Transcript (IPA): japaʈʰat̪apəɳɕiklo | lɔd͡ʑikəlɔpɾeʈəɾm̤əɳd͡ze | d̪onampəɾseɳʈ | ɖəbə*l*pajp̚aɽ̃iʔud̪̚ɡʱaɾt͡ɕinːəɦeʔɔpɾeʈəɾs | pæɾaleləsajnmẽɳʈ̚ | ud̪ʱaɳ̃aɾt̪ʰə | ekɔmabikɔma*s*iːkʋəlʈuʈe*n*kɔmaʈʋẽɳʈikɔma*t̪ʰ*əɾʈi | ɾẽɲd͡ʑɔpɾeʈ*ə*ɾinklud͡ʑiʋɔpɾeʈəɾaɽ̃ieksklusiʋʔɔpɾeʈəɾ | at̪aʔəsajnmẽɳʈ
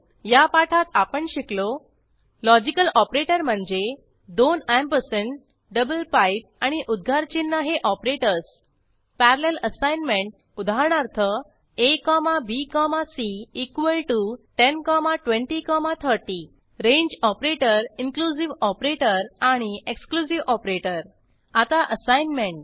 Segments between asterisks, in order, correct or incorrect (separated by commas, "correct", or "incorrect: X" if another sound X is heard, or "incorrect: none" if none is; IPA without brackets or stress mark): correct, correct, correct, correct, correct